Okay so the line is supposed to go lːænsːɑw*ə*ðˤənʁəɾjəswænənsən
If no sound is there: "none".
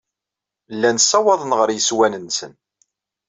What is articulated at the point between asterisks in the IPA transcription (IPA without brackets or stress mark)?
ɑ